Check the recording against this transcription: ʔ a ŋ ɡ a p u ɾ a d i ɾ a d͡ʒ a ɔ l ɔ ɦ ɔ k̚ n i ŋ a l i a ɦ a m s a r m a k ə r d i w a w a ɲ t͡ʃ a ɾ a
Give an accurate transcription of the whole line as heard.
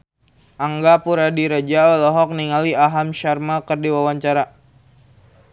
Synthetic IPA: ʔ a ŋ ɡ a p u ɾ a d i ɾ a d͡ʒ a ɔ l ɔ ɦ ɔ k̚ n i ŋ a l i a ɦ a m ʃ a r m a k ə r d i w a w a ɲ t͡ʃ a ɾ a